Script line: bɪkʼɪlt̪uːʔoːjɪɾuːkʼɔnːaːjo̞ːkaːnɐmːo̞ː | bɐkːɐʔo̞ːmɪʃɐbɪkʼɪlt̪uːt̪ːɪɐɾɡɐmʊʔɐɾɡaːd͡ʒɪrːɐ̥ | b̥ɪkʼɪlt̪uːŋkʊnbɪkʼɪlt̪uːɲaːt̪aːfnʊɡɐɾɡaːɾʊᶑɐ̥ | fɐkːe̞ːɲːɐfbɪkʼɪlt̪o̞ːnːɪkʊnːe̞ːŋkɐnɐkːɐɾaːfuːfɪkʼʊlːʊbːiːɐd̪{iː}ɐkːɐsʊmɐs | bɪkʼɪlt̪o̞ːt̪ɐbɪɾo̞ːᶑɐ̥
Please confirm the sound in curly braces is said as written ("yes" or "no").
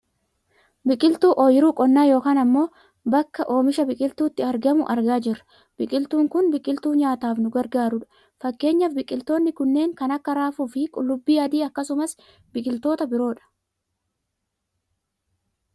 yes